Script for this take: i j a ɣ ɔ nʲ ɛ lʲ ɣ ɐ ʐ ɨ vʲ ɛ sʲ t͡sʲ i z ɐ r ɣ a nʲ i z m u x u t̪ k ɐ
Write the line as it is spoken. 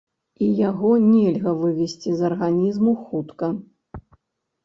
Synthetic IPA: i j a ɣ ɔ nʲ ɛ lʲ ɣ ɐ v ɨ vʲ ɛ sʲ t͡sʲ i z ɐ r ɣ a nʲ i z m u x u t̪ k ɐ